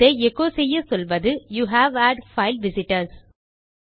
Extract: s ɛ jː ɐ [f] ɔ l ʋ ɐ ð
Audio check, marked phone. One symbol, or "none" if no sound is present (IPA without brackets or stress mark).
s